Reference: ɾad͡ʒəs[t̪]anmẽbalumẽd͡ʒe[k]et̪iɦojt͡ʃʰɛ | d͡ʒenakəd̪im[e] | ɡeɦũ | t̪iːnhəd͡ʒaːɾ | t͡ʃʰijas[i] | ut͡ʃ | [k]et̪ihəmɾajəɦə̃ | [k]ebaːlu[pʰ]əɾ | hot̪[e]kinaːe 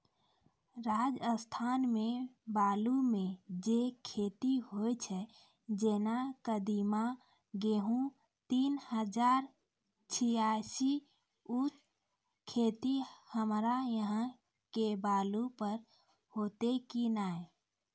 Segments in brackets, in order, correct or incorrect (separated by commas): incorrect, incorrect, incorrect, correct, incorrect, correct, incorrect, correct